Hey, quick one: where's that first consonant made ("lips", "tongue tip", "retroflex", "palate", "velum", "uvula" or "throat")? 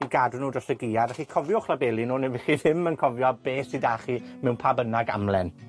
velum